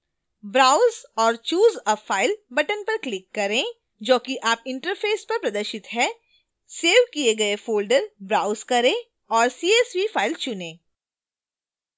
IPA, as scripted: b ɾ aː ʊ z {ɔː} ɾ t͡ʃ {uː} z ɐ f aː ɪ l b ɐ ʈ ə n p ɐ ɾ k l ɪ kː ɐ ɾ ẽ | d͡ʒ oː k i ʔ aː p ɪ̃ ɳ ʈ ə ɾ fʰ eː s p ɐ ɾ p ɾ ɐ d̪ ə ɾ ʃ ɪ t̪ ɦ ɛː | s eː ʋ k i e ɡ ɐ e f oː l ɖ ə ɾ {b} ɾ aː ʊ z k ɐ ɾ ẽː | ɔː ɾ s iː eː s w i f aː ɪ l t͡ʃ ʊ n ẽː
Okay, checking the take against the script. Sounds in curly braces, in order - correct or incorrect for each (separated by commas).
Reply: correct, correct, correct